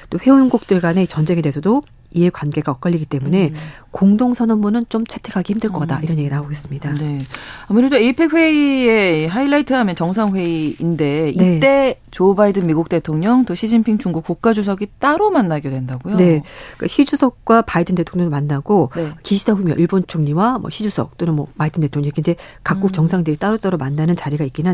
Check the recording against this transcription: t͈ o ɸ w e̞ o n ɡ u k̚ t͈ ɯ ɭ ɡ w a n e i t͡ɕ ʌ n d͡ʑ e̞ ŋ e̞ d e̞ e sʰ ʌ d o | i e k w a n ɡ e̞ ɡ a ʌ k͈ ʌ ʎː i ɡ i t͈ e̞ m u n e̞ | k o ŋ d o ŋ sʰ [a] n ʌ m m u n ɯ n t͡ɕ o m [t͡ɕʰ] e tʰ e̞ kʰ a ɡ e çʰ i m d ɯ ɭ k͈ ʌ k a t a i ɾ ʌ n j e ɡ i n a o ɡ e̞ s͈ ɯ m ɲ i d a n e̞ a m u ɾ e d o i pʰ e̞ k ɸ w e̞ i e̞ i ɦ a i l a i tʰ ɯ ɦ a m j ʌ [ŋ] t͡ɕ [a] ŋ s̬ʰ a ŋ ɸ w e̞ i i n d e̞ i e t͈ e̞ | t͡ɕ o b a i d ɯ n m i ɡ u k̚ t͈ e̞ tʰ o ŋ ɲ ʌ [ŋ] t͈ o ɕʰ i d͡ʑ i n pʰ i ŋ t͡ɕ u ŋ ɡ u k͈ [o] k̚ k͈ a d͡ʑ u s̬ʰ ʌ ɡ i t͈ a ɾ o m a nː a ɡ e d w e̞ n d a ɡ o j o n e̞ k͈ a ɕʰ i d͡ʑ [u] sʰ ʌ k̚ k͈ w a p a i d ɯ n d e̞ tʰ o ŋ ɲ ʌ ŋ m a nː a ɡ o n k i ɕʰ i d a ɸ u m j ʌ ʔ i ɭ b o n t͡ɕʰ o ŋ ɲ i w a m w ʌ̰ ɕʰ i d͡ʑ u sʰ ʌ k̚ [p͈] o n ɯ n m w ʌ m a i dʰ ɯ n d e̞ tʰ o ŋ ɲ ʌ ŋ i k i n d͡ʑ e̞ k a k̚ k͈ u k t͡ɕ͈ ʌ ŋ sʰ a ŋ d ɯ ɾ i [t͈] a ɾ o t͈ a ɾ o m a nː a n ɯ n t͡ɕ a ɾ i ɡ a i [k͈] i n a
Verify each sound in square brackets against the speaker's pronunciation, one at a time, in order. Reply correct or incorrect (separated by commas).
incorrect, correct, incorrect, incorrect, correct, incorrect, correct, incorrect, correct, correct